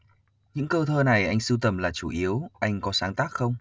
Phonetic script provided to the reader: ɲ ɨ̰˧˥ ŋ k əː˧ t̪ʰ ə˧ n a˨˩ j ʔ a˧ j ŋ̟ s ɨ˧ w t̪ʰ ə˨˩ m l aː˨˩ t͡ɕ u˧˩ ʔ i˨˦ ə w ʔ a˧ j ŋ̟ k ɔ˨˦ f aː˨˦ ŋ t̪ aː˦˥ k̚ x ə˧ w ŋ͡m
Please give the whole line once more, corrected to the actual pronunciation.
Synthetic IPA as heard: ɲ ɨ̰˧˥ ŋ k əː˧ t̪ʰ əː˧ n a˨˩ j ʔ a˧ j ŋ̟ s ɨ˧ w t̪ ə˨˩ m l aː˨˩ t͡ɕ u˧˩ ʔ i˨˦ ə w ʔ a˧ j ŋ̟ k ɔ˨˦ s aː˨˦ ŋ t̪ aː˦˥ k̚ x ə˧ w ŋ͡m

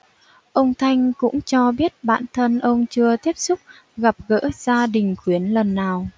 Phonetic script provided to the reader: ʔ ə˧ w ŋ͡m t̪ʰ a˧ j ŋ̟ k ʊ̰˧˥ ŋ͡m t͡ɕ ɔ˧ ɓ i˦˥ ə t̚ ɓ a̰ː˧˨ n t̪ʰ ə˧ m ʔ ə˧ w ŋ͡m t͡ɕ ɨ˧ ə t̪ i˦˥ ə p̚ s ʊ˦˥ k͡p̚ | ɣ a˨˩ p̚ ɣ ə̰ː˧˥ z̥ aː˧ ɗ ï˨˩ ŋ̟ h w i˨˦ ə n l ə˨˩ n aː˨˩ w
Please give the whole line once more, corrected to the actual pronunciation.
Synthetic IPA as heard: ʔ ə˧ w ŋ͡m t̪ʰ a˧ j ŋ̟ k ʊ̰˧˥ ŋ͡m t͡ɕ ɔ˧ ɓ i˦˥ ə t̚ ɓ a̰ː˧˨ n t̪ʰ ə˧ n ʔ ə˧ w ŋ͡m t͡ɕ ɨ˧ ə t̪ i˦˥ ə p̚ s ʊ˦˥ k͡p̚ | ɣ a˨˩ p̚ ɣ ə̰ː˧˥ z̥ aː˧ ɗ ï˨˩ ŋ̟ x w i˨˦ ə n l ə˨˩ nː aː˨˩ w

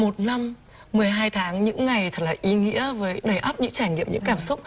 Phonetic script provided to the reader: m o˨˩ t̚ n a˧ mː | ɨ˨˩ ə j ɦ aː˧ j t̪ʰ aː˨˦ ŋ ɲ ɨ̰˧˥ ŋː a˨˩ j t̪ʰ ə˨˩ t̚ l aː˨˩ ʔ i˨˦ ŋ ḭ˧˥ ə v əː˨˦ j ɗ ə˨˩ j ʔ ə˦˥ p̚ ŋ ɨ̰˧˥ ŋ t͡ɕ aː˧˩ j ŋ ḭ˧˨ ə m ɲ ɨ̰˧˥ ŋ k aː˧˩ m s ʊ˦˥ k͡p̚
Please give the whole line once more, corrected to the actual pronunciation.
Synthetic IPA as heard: m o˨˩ t̚ n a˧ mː | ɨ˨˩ ə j ɦ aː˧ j t̪ʰ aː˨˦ ŋ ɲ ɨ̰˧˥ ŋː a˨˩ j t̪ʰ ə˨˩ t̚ l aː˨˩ ʔ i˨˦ ŋ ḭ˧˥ ə v əː˨˦ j ɗ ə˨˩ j ʔ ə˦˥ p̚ ɲ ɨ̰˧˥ ŋ t͡ɕ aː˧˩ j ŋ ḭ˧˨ ə m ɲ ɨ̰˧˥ ŋ k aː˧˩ m s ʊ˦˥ k͡p̚

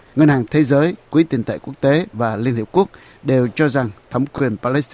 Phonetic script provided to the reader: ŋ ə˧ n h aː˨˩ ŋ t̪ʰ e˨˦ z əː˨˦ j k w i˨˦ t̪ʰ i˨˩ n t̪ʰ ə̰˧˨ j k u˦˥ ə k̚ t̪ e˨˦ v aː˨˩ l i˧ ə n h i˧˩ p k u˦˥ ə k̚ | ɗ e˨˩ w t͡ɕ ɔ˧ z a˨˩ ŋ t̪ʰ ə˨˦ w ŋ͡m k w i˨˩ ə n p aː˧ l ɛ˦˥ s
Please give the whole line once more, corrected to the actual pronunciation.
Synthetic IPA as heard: ŋ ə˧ n h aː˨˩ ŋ t̪ʰ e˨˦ z əː˨˦ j k w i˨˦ t̪ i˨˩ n t̪ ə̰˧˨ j k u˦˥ ə k̚ t̪ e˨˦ v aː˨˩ l i˧ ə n h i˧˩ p k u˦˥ ə k̚ | ɗ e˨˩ w t͡ɕ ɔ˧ z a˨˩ ŋ t̪ʰ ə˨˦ w ŋ͡m k w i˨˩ ə n p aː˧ l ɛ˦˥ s

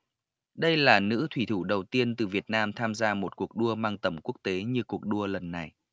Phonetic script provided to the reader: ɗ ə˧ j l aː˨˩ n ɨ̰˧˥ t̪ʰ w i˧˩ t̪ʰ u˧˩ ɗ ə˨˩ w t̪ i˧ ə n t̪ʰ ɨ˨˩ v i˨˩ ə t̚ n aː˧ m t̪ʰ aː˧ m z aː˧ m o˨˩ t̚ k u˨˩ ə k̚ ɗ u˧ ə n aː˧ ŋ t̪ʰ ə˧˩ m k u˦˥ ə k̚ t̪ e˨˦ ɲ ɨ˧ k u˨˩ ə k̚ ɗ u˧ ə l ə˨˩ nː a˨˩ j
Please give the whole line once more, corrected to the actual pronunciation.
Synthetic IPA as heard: ɗ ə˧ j l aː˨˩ n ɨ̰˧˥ t̪ʰ w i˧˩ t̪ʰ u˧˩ ɗ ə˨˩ w t̪ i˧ ə n t̪ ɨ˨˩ v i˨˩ ə t̚ n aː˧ m t̪ʰ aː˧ m z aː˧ m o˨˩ t̚ k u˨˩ ə k̚ ɗ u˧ ə m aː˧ ŋ t̪ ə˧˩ m k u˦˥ ə k̚ t̪ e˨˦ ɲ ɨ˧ k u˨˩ ə k̚ ɗ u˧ ə l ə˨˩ nː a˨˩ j

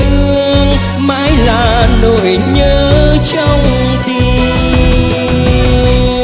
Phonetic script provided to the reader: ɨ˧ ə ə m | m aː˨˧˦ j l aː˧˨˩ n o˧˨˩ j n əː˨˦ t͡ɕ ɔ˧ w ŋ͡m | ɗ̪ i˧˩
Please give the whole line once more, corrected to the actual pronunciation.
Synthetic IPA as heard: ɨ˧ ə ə ŋ | m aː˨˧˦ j l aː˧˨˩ n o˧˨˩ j ɲ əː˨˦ t͡ɕ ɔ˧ w ŋ͡m | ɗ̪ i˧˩

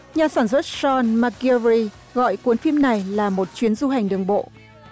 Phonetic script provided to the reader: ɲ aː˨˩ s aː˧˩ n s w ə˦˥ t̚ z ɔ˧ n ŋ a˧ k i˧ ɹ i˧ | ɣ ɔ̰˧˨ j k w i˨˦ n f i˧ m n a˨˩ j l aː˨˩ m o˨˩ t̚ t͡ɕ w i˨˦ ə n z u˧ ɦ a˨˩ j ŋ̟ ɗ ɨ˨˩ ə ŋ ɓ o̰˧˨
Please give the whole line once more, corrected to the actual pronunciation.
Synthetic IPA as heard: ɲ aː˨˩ s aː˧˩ n s w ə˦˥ t̚ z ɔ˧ n m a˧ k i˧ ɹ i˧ | ɣ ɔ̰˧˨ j k w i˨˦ n f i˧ m n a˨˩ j l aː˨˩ m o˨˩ t̚ t͡ɕ w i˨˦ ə n z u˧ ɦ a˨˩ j ŋ̟ ɗ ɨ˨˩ ə ŋ ɓ o̰˧˨

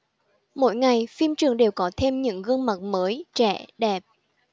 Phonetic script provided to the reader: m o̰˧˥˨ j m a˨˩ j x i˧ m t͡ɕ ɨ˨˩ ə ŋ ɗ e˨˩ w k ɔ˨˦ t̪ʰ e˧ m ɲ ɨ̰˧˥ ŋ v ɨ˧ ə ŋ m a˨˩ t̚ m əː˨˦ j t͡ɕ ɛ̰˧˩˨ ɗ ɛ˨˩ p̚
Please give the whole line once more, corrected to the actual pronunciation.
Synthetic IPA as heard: m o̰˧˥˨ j ŋ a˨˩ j f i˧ m t͡ɕ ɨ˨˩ ə ŋ ɗ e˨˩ w k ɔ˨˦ t̪ʰ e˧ m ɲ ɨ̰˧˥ ŋ ɣ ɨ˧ ə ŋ m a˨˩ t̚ m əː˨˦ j t͡ɕ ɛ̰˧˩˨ ɗ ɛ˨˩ p̚

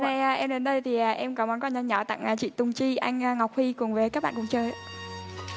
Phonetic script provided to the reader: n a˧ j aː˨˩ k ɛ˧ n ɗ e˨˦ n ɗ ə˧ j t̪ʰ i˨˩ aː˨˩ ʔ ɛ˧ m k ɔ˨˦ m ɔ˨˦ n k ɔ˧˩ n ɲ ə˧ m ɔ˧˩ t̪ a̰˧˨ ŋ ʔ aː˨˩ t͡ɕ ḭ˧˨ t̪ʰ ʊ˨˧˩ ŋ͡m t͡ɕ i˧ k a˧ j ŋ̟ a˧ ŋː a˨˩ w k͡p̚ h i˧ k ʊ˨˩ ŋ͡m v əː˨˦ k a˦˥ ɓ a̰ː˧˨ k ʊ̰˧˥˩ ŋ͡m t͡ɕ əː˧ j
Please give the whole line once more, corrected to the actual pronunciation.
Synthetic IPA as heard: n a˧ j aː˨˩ ʔ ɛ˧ m ɗ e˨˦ n ɗ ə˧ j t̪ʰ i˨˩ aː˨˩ ʔ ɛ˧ m k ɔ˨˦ m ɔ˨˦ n k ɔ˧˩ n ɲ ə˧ ɲ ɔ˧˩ t̪ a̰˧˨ ŋ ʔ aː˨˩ t͡ɕ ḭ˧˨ t̪ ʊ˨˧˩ ŋ͡m t͡ɕ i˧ ʔ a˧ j ŋ̟ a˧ ŋ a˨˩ w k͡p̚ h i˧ k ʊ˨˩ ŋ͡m v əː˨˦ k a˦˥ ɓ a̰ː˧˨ k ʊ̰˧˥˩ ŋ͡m t͡ɕ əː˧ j

